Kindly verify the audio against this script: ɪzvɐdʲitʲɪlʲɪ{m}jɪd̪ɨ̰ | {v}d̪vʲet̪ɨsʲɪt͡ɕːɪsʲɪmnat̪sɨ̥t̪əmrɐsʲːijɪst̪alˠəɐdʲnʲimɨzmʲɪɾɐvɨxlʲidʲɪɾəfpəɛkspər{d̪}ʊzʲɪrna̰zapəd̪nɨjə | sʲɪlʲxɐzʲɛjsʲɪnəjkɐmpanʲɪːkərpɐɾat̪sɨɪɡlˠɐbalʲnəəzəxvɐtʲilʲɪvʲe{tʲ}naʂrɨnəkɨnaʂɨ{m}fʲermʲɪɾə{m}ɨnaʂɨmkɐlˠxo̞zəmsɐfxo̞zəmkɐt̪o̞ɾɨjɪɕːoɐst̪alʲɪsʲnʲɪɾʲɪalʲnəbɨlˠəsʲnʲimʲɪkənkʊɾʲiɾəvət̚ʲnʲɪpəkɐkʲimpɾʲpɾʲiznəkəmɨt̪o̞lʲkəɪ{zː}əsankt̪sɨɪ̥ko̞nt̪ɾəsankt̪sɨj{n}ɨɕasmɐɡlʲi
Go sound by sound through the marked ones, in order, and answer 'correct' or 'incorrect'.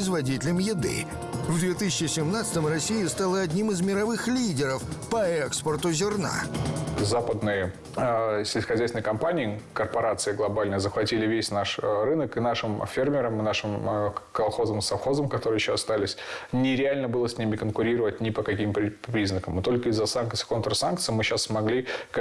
correct, correct, incorrect: t̪, incorrect: sʲ, correct, correct, correct, incorrect: m

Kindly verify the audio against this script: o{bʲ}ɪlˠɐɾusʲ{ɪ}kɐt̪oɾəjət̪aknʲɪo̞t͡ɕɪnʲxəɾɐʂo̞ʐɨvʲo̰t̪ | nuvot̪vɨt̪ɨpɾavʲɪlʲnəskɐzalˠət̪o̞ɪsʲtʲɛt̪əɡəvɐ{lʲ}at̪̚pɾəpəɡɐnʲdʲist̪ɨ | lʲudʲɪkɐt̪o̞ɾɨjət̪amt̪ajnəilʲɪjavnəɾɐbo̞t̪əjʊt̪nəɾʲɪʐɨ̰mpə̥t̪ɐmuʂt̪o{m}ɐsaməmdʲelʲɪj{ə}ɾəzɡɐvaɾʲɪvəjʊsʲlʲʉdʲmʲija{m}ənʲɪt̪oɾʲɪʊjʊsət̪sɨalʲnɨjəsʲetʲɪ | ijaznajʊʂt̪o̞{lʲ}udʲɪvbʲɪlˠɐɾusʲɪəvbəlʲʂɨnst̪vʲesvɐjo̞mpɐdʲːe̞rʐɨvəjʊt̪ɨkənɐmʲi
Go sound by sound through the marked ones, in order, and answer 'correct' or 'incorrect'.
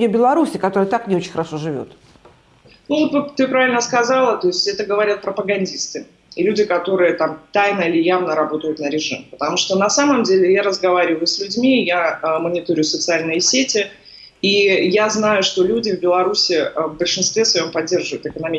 correct, correct, incorrect: ɾʲ, incorrect: n, incorrect: a, correct, correct

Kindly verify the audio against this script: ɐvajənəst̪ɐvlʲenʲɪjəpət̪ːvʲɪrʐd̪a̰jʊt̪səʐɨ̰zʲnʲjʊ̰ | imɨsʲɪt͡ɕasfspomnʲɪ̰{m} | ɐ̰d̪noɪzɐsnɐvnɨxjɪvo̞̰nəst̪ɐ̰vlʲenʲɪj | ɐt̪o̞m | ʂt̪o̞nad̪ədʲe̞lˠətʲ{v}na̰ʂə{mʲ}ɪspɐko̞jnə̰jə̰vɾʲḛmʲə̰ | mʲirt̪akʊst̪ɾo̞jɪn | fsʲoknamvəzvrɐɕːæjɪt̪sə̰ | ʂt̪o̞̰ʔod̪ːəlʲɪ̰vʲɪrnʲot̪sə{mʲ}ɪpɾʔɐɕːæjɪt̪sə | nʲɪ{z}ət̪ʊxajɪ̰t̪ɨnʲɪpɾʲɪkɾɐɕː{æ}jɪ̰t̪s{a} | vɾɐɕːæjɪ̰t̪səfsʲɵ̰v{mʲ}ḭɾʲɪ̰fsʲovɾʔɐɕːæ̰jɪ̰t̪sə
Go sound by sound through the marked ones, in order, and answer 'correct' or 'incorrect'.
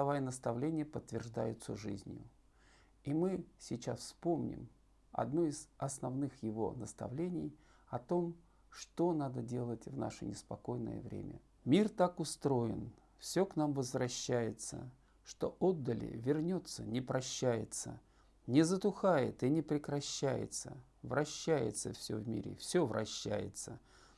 correct, correct, incorrect: nʲ, incorrect: nʲ, correct, correct, incorrect: ə, correct

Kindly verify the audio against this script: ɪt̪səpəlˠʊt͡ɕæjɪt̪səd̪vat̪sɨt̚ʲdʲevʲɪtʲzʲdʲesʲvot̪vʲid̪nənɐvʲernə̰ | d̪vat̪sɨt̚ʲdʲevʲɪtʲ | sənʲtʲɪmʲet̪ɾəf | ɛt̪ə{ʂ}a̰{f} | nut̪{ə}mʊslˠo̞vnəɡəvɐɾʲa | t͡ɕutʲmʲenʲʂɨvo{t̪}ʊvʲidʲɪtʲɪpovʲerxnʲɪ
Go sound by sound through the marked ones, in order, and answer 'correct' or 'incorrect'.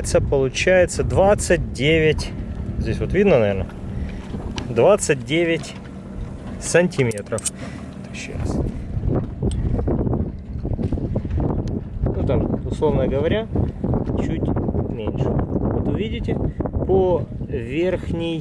incorrect: ɕ, incorrect: s, incorrect: a, correct

